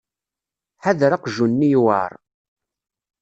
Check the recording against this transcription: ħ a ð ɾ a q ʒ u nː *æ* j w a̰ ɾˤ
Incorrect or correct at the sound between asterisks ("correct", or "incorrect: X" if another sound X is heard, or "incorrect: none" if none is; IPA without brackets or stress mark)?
incorrect: i